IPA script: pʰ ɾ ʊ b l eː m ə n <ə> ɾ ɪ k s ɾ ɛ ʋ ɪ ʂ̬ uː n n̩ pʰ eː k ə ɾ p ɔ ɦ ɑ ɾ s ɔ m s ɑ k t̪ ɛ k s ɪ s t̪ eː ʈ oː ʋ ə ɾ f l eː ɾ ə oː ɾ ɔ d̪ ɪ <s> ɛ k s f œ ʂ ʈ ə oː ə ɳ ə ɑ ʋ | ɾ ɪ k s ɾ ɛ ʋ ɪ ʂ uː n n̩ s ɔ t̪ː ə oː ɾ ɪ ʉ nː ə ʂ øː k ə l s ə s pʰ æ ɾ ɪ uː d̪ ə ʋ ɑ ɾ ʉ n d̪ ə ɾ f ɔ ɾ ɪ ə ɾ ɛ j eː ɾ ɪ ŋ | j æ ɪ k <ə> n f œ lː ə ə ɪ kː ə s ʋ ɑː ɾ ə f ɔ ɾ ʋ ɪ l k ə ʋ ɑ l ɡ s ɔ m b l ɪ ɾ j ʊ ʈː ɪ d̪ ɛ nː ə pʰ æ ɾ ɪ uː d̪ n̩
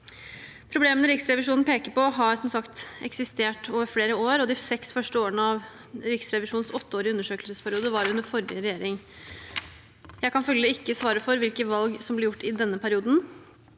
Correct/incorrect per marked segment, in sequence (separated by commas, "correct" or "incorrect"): correct, correct, incorrect